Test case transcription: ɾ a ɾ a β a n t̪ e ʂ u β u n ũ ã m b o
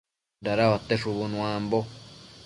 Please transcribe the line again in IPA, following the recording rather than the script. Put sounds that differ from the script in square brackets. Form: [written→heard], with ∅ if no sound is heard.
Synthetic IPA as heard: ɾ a ɾ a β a [n→∅] t̪ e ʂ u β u n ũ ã m b o